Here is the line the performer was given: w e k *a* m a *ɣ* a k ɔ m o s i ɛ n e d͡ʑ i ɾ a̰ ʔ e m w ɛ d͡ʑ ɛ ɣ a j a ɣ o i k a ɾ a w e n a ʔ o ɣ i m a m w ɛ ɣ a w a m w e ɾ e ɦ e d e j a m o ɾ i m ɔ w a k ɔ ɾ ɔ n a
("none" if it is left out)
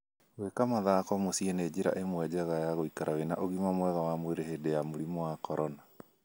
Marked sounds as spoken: a, ð

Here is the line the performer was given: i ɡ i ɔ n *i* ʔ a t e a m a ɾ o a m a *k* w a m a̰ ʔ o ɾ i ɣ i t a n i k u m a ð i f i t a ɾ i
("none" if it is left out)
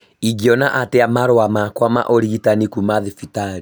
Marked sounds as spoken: a, k

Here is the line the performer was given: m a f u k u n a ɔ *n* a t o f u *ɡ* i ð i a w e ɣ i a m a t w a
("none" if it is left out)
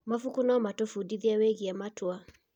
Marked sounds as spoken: m, d

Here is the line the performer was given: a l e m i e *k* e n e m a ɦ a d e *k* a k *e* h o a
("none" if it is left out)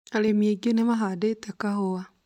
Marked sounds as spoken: ɡ, t, a

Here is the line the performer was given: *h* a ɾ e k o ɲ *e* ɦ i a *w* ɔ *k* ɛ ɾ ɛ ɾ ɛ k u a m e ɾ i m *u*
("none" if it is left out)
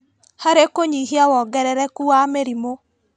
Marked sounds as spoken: h, i, w, ɡ, o

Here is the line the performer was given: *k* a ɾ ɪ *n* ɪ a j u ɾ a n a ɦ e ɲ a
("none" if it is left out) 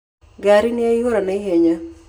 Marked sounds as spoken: ɡ, n

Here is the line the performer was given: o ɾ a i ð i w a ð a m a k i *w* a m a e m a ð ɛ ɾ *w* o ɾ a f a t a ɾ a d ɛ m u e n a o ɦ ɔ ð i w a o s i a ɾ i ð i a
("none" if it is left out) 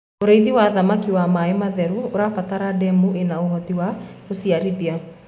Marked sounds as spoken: w, u

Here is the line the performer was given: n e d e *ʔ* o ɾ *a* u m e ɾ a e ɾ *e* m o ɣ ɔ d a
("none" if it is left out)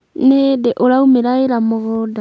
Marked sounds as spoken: ʔ, a, a

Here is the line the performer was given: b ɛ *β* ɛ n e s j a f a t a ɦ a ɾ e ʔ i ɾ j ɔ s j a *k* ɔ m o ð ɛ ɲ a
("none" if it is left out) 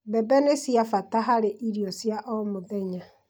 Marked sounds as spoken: b, ʔ

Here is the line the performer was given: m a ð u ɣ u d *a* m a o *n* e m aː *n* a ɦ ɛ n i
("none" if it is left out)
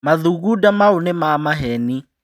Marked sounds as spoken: a, n, m

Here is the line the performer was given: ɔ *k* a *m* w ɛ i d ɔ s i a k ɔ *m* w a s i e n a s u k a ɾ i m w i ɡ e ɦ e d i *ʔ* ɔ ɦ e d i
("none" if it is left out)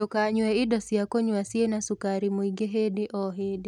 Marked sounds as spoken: k, ɲ, ɲ, ʔ

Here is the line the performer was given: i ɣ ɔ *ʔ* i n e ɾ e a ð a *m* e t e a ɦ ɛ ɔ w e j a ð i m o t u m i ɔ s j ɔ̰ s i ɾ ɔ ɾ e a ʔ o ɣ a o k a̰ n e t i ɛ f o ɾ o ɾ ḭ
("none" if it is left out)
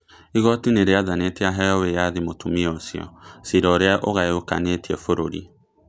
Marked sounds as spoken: t, n

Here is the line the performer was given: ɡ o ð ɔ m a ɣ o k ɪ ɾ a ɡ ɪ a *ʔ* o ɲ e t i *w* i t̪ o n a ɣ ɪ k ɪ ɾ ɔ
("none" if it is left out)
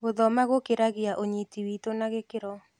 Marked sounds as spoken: ʔ, w

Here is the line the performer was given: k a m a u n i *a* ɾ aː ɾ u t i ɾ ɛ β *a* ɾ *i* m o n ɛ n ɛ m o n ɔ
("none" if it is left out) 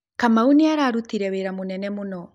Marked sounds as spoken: a, e, a

